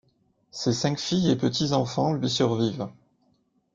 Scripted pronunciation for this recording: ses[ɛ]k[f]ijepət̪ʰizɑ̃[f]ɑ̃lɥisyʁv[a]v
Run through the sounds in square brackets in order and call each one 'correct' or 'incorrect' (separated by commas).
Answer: incorrect, correct, correct, incorrect